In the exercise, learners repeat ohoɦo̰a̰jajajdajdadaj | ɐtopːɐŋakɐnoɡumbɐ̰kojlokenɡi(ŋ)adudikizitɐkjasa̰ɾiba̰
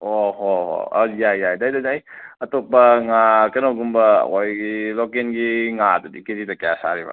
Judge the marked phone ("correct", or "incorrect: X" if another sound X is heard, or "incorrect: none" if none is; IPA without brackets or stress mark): correct